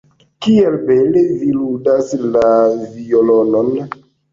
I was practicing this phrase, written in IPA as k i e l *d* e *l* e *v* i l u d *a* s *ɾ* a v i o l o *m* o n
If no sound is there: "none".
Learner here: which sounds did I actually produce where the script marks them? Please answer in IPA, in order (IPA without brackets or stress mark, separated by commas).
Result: b, l, v, a, l, n